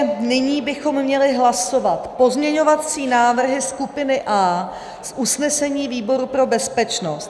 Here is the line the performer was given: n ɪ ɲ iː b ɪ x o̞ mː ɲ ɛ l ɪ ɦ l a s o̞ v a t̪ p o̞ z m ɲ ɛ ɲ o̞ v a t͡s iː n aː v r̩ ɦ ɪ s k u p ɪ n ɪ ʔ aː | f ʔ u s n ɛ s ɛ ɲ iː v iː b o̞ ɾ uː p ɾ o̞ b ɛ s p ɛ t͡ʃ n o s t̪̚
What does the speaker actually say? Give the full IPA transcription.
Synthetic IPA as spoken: n ɪ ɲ iː b ɪ x o̞ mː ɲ ɛ l ɪ ɦ l a s o̞ v a t̪ p o̞ z m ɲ ɛ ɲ o̞ v a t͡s iː n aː v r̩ ɦ ɪ s k u p ɪ n ɪ ʔ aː | s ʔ u s n ɛ s ɛ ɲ iː v iː b o̞ ɾ u p ɾ o̞ b ɛ s p ɛ t͡ʃ n o s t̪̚